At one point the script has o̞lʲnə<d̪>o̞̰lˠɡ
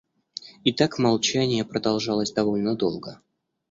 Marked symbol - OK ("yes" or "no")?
yes